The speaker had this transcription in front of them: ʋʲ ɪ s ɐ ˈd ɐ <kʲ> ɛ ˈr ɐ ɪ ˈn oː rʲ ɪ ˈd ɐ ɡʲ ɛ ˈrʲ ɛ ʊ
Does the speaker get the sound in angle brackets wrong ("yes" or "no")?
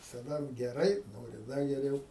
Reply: yes